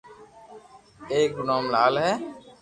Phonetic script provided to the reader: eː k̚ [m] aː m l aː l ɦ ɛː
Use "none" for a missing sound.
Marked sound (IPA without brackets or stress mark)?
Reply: n